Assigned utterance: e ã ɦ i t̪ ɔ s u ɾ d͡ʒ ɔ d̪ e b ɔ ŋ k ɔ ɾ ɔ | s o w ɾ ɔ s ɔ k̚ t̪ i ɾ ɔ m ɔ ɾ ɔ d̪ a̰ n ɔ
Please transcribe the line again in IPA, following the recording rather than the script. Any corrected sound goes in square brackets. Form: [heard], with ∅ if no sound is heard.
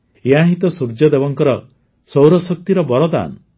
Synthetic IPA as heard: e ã ɦ i t̪ ɔ s u ɾ d͡ʒ ɔ d̪ e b ɔ ŋ k ɔ ɾ ɔ | s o w ɾ ɔ s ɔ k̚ t̪ i ɾ ɔ [b] ɔ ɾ ɔ d̪ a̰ n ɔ

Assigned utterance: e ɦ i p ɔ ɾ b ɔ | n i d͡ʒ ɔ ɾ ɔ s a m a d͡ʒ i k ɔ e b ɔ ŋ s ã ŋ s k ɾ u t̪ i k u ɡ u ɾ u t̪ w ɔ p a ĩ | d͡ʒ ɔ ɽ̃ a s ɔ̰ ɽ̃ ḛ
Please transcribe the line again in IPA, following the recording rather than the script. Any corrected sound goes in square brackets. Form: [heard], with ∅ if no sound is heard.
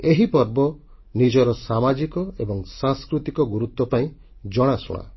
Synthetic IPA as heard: e ɦ i p ɔ ɾ b ɔ | n i d͡ʒ ɔ ɾ ɔ s a m a d͡ʒ i k ɔ e b ɔ ŋ s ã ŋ s k ɾ u t̪ i k [ɔ] ɡ u ɾ u t̪ w ɔ p a ĩ | d͡ʒ ɔ ɽ̃ a s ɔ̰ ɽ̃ [a̰]

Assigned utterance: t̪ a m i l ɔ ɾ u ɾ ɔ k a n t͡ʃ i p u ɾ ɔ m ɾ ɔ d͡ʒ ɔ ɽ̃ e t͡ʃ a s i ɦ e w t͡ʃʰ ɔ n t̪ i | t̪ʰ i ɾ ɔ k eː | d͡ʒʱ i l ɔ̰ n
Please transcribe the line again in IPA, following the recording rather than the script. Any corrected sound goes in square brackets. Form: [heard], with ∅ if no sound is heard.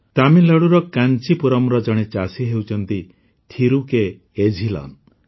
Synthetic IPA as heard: t̪ a m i l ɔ [ɽ] u ɾ ɔ k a n t͡ʃ i p u ɾ ɔ m ɾ ɔ d͡ʒ ɔ ɽ̃ e t͡ʃ a s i ɦ e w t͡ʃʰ ɔ n t̪ i | t̪ʰ i ɾ [u] k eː | d͡ʒʱ i l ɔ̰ n

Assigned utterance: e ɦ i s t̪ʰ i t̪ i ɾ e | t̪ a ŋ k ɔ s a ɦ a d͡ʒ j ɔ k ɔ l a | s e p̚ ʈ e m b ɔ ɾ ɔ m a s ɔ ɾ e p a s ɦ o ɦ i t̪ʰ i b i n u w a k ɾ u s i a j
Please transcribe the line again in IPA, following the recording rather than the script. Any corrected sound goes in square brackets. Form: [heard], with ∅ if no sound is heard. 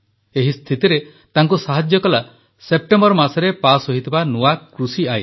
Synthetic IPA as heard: e ɦ i s t̪ʰ i t̪ i ɾ e | t̪ a ŋ k [u] s a ɦ a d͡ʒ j ɔ k ɔ l a | s e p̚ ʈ e m b ɔ ɾ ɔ m a s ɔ ɾ e p a s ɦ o ɦ i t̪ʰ i b [a] n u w a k ɾ u s i a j

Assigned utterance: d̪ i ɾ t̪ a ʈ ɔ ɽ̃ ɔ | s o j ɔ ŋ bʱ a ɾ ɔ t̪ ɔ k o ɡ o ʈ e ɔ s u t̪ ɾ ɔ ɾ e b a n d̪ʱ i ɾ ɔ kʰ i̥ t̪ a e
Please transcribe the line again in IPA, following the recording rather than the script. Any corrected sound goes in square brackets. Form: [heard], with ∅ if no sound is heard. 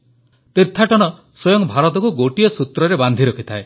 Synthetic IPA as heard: [t̪] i ɾ [t̪ʰ] a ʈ ɔ ɽ̃ ɔ | s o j ɔ ŋ bʱ a ɾ ɔ t̪ ɔ k [u] ɡ o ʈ [i] ɔ s u t̪ ɾ ɔ ɾ e b a n d̪ʱ i ɾ ɔ kʰ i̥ [t̪ʰ] a e

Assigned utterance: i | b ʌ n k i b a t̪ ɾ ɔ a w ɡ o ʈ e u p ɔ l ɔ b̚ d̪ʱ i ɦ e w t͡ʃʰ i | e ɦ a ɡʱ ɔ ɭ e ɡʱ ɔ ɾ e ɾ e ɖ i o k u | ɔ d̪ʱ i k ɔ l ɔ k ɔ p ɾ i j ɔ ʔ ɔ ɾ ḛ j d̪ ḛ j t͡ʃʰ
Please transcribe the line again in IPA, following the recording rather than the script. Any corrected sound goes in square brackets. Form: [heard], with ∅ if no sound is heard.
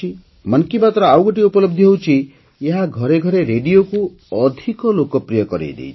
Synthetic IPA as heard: i | [m] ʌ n k i b a t̪ ɾ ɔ a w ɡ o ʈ [i] u p ɔ l ɔ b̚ d̪ʱ i ɦ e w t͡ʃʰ i | e ɦ a ɡʱ ɔ [ɾ] e ɡʱ ɔ ɾ e ɾ e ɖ i o k u | ɔ d̪ʱ i k ɔ l [o] k ɔ p ɾ i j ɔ [k] ɔ ɾ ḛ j d̪ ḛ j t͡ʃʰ

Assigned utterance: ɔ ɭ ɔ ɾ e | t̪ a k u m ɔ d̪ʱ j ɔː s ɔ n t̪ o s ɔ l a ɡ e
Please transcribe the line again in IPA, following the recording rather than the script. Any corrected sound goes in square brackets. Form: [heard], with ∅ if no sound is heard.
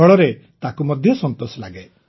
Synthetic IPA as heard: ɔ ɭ ɔ ɾ e | t̪ a k u m ɔ d̪ʱ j [ɔ] s ɔ n t̪ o s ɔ l a ɡ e

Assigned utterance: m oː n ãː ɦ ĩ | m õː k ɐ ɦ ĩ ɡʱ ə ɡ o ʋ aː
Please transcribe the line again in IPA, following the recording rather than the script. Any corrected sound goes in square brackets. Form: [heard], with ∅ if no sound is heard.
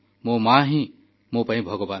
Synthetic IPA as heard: m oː [m] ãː ɦ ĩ | m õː [p] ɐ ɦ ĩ [bʱ] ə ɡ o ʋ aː

